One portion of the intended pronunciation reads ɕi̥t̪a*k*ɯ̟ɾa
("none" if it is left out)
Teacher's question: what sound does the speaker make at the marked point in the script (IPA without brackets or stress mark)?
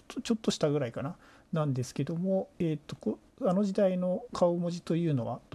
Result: ɡ